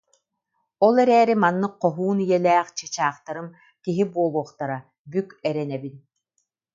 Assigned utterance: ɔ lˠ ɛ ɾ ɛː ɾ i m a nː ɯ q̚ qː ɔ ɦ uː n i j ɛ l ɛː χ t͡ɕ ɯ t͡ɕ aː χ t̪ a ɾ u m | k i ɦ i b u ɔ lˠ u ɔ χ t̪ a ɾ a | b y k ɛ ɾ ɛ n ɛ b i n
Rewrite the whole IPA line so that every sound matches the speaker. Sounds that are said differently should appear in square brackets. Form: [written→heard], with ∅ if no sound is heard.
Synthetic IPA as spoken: ɔ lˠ ɛ ɾ ɛː ɾ i m a nː ɯ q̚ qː ɔ ɦ uː n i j ɛ l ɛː χ t͡ɕ ɯ t͡ɕ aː χ t̪ a ɾ [u→ɯ] m | k i ɦ i b u ɔ lˠ u ɔ χ t̪ a ɾ a | b y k ɛ ɾ ɛ n ɛ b i n